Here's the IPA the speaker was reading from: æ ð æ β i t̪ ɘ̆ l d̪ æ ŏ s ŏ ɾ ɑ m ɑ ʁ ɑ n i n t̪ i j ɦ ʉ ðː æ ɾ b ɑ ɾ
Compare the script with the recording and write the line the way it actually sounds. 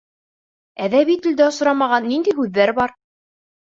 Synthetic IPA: æ ð æ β i t̪ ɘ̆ l d̪ æ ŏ s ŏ ɾ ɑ m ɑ ʁ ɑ nː i n d̪ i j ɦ ʉ ðː æ ɾ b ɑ ɾ